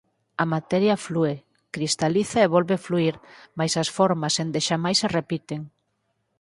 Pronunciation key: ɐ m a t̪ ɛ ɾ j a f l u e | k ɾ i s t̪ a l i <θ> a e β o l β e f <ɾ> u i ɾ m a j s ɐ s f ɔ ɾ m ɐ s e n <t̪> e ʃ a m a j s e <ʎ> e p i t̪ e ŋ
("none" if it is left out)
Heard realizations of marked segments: θ, l, d̪, r

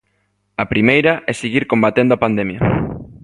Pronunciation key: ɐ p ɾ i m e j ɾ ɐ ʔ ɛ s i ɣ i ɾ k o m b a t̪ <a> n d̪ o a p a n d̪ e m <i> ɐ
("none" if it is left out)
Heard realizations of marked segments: e, j

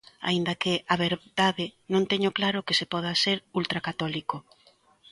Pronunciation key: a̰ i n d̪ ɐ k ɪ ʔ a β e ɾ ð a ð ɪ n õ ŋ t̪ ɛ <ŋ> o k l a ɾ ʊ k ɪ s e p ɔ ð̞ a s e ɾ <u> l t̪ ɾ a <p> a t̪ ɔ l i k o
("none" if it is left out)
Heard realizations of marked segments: ɲ, u, k

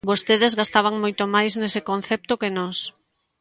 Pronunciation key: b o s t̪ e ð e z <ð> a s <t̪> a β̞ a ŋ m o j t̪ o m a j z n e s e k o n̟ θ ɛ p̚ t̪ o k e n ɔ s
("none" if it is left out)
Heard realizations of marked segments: ɣ, t̪

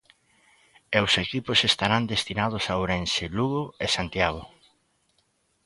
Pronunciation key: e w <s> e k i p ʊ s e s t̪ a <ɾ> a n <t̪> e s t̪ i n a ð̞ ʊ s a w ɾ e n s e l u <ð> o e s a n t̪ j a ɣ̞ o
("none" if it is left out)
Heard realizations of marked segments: s, ɾ, d̪, ɣ

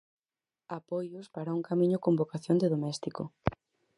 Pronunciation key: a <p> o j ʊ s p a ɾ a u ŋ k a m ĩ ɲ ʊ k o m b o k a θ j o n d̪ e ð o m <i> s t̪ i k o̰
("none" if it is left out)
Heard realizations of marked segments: p, ɛ

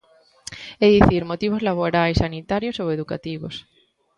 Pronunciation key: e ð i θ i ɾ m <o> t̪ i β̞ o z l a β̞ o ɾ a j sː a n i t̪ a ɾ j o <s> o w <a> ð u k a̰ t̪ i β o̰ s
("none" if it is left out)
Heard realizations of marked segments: o, s, e

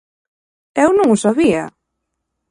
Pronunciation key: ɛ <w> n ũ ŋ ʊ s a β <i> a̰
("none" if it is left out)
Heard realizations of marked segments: w, i

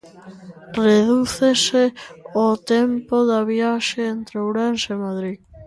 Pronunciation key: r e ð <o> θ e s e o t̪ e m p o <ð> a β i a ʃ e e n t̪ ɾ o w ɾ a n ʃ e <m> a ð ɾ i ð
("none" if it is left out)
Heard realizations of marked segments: u, ð, m

